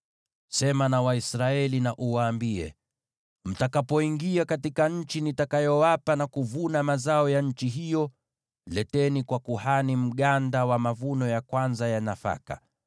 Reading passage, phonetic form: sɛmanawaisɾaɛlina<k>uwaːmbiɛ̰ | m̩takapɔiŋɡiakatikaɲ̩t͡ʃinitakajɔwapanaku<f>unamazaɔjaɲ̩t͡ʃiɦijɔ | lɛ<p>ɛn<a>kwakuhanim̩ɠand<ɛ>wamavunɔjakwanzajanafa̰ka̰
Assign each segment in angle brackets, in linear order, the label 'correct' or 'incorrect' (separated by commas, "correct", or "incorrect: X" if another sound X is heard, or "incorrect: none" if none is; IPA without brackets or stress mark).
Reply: incorrect: ʔ, incorrect: v, incorrect: t, incorrect: i, incorrect: a